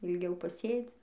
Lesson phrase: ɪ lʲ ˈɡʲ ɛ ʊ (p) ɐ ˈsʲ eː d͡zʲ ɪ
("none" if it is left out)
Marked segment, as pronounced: p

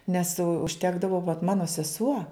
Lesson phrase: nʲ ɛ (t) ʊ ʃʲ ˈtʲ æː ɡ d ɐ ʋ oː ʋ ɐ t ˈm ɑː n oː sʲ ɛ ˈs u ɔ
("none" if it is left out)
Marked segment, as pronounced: s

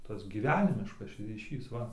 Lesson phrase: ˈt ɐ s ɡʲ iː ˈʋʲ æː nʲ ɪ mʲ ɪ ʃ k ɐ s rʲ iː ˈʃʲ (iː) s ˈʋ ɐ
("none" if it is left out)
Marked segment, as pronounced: iː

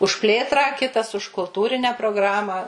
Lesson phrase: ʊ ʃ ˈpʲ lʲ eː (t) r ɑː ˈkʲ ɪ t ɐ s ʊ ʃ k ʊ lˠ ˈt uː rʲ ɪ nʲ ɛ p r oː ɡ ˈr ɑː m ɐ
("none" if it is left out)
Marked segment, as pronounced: t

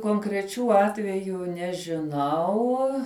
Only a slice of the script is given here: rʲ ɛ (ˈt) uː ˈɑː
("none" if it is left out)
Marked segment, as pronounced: t͡ʃʲ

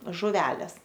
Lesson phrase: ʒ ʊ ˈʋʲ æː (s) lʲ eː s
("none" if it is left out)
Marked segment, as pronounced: none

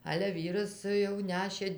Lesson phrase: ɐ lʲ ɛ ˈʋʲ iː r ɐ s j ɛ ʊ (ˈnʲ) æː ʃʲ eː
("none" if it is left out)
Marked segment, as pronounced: nʲ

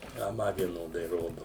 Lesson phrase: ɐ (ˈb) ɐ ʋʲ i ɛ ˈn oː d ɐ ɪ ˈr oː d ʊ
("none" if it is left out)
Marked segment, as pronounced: m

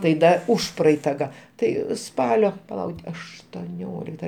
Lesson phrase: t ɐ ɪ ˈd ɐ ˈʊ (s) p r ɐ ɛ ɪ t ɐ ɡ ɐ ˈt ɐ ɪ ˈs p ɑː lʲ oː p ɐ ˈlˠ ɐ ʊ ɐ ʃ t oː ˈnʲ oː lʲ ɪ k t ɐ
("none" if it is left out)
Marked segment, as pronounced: ʃ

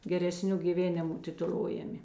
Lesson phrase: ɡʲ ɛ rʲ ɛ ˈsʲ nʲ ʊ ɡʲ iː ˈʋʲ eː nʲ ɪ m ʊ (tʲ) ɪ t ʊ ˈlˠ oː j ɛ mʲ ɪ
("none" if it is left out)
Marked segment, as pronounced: tʲ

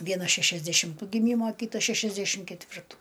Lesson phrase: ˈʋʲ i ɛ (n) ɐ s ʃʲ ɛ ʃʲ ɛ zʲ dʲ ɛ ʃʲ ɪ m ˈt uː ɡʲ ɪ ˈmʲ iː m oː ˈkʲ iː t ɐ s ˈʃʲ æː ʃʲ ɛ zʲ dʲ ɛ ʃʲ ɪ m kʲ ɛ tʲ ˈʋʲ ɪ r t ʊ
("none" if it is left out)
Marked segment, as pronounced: n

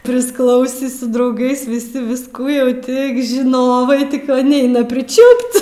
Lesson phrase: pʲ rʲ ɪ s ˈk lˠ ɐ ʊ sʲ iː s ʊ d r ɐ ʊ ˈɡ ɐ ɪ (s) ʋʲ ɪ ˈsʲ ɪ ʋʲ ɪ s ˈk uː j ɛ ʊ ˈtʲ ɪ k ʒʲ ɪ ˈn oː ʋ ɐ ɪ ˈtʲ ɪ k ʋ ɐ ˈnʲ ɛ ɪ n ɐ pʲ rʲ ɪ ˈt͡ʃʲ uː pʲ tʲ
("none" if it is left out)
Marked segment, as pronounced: s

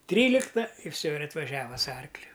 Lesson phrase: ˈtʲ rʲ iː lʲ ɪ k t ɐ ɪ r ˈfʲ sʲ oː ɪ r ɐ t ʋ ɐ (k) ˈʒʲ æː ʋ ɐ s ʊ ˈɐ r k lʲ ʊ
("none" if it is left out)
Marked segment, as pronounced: none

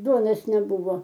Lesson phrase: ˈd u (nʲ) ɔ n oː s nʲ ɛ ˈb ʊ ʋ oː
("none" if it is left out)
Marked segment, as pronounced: none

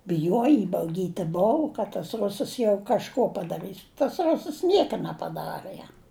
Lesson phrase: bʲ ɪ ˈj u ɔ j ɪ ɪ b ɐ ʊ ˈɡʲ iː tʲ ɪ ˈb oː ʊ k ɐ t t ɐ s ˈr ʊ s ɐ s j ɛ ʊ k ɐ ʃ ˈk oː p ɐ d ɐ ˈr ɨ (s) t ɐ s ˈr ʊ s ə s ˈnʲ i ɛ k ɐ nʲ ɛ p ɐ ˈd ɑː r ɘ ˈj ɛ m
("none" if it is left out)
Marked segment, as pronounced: s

